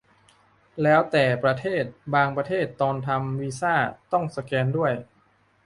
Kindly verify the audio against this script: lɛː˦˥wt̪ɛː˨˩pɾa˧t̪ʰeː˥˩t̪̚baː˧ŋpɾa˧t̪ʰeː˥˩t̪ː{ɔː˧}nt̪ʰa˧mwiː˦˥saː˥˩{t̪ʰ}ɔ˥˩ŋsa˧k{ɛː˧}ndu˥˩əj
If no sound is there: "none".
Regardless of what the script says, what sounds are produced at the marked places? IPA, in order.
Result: ɔː˧, t̪, ɛː˧

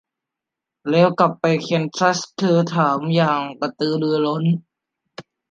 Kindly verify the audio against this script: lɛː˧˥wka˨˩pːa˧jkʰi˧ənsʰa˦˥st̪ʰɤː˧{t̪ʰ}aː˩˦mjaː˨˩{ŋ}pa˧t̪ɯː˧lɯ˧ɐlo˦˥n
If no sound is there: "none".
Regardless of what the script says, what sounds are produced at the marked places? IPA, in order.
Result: t̪ʰ, ŋ

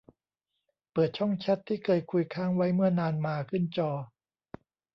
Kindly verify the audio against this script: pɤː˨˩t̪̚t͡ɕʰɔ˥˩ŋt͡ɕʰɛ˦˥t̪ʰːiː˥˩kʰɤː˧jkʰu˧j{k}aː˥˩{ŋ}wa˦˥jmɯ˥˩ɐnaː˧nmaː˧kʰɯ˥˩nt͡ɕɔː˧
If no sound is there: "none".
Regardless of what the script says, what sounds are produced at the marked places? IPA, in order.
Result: kʰ, ŋ

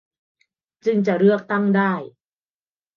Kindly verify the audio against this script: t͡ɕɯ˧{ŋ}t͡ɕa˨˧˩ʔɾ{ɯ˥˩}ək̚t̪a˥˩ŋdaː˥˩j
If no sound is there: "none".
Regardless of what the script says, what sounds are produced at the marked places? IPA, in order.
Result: ŋ, ɯ˥˩

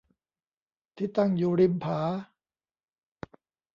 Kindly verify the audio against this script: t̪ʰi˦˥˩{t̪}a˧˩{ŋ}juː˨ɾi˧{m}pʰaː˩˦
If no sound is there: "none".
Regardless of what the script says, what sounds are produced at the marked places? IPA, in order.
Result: t̪, ŋ, m

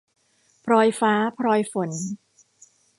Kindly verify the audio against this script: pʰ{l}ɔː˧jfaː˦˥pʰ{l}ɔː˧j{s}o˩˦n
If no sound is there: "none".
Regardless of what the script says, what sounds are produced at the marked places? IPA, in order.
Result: ɾ, ɾ, f

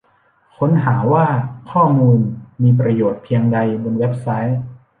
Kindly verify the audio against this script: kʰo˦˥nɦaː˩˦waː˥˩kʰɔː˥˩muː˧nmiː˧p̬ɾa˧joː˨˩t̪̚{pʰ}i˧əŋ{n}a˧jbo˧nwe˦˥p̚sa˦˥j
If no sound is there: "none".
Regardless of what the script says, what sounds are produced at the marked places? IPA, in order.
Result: pʰ, d

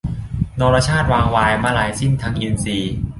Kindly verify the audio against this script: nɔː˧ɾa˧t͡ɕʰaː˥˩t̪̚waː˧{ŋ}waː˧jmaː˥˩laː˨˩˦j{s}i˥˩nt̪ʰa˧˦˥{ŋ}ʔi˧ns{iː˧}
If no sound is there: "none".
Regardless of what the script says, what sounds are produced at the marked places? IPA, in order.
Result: ŋ, s, ŋ, iː˧

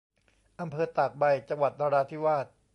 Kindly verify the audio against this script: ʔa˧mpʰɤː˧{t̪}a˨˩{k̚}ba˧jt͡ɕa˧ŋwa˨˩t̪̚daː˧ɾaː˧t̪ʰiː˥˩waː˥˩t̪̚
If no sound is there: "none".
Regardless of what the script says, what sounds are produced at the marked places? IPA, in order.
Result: t̪, k̚

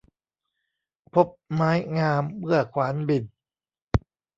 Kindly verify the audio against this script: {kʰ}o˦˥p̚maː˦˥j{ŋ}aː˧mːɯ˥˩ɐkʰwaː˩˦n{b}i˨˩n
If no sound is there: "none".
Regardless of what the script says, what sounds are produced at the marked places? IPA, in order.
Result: pʰ, ŋ, b

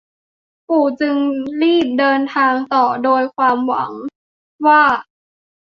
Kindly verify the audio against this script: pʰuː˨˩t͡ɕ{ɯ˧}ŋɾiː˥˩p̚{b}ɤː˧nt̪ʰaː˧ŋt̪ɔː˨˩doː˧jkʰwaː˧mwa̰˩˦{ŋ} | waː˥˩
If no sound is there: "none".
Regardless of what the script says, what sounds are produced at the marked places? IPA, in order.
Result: ɯ˧, d, ŋ

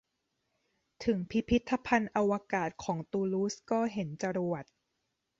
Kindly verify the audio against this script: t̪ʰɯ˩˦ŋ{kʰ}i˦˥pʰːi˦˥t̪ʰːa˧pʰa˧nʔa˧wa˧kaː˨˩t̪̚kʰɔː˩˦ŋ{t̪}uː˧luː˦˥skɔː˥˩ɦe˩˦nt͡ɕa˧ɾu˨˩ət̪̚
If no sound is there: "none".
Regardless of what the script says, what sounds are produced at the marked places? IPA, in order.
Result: pʰ, t̪

